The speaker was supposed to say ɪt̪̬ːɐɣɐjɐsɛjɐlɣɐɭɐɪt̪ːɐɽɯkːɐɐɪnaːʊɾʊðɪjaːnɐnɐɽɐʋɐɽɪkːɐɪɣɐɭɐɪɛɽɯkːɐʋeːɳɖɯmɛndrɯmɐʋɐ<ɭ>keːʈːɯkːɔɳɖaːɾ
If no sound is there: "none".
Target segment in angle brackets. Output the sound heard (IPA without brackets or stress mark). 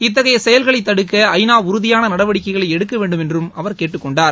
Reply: ɾ